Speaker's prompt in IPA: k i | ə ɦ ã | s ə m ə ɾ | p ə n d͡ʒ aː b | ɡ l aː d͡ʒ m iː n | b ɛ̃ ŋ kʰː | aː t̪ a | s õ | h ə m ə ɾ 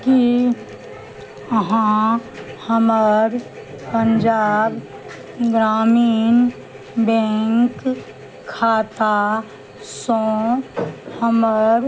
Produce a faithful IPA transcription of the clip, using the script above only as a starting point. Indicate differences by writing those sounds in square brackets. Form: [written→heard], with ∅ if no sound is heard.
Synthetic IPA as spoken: k i | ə ɦ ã | [s→h] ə m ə ɾ | p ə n d͡ʒ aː b | ɡ [l→ɾ] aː [d͡ʒ→∅] m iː n | b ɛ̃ ŋ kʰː | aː t̪ a | s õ | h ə m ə ɾ

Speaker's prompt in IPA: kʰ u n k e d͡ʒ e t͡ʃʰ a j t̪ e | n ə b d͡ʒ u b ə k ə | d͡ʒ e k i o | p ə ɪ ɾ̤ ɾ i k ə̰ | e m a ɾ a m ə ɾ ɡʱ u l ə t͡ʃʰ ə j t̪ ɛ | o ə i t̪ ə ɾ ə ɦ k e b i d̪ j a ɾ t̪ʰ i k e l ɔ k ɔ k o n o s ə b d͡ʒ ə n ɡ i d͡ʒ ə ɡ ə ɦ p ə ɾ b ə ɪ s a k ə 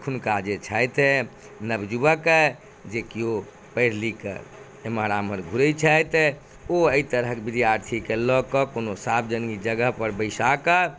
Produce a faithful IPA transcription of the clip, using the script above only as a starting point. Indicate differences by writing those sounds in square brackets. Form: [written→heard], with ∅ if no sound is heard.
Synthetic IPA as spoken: kʰ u n k [e→a] d͡ʒ e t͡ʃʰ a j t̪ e | n ə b d͡ʒ u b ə k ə | d͡ʒ e k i o | p ə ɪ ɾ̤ [ɾ→l] i k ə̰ | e m a ɾ a m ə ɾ ɡʱ u [l→ɾ] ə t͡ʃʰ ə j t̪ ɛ | o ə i t̪ ə ɾ ə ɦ k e b i d̪ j a ɾ t̪ʰ i k e l ɔ k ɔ k o n o s [ə→a] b d͡ʒ ə n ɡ i d͡ʒ ə ɡ ə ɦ p ə ɾ b ə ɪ s a k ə

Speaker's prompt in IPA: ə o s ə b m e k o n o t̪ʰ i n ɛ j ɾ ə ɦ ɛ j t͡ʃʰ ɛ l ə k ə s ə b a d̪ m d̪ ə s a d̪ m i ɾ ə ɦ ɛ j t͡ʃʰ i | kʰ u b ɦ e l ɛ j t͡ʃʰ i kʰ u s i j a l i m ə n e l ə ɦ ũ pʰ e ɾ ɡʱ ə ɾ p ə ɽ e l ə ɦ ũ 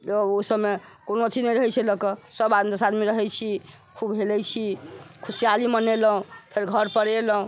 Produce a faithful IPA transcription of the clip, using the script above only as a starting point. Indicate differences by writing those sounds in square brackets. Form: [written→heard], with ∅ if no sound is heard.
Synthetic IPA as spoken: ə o s ə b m e k o n o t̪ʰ i n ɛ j ɾ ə ɦ ɛ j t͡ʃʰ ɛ l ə k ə s ə b a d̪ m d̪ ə s a d̪ m i ɾ ə ɦ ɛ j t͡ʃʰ i | kʰ u b ɦ e l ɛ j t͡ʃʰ i kʰ u s i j a l i m ə n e l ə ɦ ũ pʰ e ɾ ɡʱ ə ɾ p ə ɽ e l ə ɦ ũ

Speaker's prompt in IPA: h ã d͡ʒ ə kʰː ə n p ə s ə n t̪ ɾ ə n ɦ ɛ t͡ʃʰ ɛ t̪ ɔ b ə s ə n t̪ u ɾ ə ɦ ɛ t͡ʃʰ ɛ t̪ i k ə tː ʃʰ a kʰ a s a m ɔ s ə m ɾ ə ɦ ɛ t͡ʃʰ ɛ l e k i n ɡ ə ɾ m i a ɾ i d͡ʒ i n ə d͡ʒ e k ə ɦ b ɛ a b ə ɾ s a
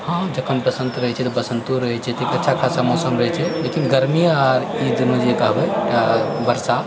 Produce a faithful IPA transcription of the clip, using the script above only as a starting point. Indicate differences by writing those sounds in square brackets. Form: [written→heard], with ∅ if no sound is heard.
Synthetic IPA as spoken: h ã d͡ʒ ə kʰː ə n p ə s ə n t̪ ɾ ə [n→∅] ɦ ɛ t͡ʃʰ ɛ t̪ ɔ b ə s ə n t̪ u ɾ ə ɦ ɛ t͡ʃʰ ɛ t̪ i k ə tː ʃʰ a kʰ a s a m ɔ s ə m ɾ ə ɦ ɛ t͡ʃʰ ɛ l e k i n ɡ ə ɾ m i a ɾ i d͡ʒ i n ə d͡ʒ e k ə ɦ b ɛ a b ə ɾ s a

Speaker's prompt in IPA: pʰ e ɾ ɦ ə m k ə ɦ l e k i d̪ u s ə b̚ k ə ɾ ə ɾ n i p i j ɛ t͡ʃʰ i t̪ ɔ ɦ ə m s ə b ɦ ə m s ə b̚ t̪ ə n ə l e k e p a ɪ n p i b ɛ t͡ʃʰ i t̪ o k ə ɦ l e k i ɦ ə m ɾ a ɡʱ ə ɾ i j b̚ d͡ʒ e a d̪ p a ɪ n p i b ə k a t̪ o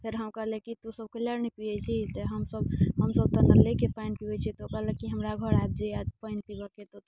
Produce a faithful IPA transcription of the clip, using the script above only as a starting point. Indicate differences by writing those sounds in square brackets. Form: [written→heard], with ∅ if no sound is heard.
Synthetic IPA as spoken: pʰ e ɾ ɦ ə m k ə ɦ l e k i [d̪→t̪] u s ə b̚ k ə [ɾ→l] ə ɾ n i p i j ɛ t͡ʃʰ i t̪ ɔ ɦ ə m s ə b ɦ ə m s ə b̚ t̪ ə n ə l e k e p a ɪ n p i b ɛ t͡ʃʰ i t̪ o k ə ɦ l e k i ɦ ə m ɾ a ɡʱ ə ɾ [i→a] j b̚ d͡ʒ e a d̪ p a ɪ n p i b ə k [a→e] t̪ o

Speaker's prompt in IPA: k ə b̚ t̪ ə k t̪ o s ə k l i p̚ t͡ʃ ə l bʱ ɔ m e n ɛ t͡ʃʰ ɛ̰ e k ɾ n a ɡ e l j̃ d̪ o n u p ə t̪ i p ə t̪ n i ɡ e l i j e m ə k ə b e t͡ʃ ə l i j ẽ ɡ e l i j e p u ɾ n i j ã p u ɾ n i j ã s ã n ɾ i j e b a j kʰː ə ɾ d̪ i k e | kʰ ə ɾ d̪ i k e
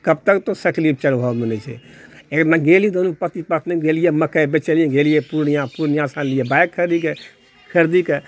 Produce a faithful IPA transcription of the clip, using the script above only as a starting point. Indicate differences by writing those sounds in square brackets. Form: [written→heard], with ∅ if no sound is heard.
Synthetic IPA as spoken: k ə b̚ t̪ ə k t̪ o s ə k l i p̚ t͡ʃ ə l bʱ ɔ m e n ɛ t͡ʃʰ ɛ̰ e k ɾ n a ɡ e l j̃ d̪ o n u p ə t̪ i p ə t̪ n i ɡ e l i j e m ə k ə b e t͡ʃ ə l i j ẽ ɡ e l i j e p u ɾ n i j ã p u ɾ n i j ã s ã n [ɾ→l] i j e b a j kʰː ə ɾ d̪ i k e | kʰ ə ɾ d̪ i k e

